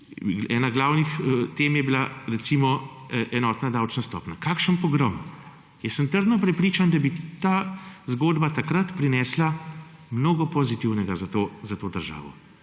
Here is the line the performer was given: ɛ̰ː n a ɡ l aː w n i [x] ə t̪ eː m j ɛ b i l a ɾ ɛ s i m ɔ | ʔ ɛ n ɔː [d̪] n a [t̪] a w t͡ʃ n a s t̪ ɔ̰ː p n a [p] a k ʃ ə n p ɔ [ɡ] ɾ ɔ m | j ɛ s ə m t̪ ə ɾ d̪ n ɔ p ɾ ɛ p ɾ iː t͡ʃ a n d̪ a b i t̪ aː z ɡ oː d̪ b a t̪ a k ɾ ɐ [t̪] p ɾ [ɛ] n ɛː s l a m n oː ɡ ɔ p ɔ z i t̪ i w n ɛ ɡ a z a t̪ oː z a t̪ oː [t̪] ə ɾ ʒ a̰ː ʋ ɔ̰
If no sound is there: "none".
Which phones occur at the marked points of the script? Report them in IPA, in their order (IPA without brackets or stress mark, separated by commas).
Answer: x, t̪, d̪, k, ɡ, t̪, i, d̪